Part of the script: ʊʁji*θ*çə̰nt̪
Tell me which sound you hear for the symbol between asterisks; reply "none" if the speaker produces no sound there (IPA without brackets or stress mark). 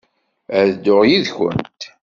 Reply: ð